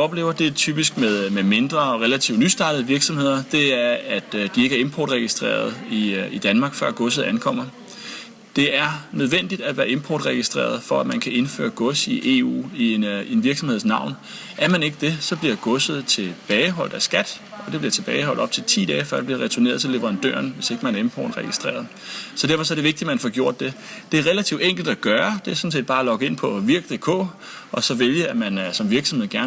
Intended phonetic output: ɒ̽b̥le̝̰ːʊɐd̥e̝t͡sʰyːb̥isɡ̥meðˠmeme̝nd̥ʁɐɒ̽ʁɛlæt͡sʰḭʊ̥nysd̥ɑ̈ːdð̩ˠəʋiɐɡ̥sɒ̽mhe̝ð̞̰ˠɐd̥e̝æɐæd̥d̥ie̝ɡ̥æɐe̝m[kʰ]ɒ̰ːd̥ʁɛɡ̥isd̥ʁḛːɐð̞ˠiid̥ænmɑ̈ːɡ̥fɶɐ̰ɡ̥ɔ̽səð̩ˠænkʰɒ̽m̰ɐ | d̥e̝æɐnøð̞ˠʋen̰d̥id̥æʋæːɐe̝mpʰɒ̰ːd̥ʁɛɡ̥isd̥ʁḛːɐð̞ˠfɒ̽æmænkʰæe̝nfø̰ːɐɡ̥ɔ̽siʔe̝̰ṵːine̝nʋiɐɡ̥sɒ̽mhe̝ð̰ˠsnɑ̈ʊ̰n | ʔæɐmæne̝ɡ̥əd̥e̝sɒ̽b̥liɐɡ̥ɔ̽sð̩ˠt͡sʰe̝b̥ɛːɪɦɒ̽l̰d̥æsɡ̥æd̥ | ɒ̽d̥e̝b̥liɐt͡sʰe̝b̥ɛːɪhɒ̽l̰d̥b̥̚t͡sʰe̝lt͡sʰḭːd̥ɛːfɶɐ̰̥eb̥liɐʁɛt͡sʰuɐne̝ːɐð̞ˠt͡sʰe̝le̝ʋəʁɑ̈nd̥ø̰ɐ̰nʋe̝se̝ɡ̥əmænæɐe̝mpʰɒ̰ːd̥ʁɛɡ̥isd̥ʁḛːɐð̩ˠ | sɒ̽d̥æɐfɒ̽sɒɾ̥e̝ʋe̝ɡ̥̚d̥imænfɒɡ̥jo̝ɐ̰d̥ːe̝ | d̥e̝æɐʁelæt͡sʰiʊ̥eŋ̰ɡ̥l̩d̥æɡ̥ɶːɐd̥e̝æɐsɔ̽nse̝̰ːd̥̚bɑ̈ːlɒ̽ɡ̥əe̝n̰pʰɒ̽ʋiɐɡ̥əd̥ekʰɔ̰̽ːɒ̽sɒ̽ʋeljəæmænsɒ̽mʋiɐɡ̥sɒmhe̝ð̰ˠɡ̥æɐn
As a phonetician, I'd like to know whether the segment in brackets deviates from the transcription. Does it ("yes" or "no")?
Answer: yes